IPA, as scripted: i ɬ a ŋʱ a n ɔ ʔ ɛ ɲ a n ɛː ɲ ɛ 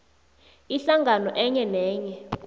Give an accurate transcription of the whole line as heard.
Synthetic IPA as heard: i ɬ a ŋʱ a n ɔ ʔ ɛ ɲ ɛ n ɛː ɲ ɛ

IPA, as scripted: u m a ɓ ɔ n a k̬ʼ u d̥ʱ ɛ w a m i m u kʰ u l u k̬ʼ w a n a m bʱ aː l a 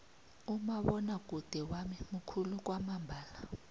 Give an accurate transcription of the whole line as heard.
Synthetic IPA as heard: u m a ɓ ɔ n a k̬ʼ u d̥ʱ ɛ w a m i m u kʰ u l u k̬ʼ w a m a m bʱ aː l a

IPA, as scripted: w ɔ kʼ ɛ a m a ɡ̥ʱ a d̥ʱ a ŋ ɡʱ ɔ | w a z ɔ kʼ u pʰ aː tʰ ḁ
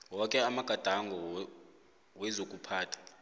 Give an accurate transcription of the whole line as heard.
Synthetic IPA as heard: w ɔ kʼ ɛ a m a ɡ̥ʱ a d̥ʱ a ŋ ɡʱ ɔ | w ɛ z o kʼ u pʰ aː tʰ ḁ

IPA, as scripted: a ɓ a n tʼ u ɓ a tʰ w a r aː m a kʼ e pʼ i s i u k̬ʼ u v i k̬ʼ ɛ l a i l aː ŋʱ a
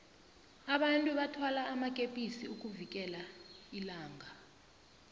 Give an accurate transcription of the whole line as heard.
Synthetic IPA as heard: a ɓ a n tʼ u ɓ a tʰ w a l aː m a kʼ e pʼ i s i u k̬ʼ u v i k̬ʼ ɛ l a i l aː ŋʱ a

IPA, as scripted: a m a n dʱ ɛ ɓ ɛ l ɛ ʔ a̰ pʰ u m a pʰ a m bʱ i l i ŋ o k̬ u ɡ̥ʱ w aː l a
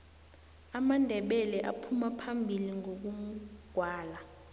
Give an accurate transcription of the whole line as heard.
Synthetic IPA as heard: a m a n dʱ ɛ ɓ ɛ l ɛ ʔ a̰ pʰ u m a pʰ a m bʱ i l i ŋ o k̬ u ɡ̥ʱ w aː l a

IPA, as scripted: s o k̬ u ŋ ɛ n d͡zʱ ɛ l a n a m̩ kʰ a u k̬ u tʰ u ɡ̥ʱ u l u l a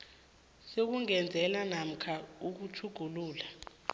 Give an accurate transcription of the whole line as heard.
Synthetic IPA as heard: s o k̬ u ŋ ɛ n d͡zʱ ɛ l a n a m̩ kʰ a u k̬ u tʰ u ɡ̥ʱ u l uː l a

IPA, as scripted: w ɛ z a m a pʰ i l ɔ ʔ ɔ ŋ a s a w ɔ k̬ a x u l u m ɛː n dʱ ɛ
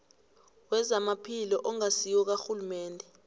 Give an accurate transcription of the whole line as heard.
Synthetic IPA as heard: w ɛ z a m a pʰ i l ɔ ʔ ɔ ŋ a s i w ɔ k̬ a x u l u m ɛː n dʱ ɛ

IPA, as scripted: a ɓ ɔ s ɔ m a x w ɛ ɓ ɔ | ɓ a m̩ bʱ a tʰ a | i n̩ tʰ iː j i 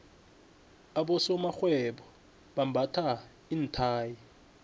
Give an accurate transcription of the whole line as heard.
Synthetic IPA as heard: a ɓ ɔ s ɔ m a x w ɛ ɓ ɔ | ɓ a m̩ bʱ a tʰ a | i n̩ tʰ aː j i

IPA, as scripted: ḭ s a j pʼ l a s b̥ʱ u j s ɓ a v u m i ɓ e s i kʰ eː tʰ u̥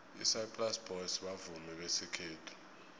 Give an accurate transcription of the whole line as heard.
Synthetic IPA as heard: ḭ s a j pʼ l a s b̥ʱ ɔ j s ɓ a v u m ɛ ɓ e s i kʰ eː tʰ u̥

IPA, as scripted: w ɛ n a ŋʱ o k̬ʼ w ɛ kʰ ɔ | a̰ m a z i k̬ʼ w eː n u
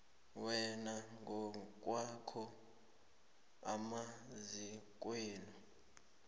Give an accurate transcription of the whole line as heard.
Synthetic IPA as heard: w ɛ n a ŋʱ ɔ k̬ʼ w a kʰ ɔ | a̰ m a z i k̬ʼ w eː n u

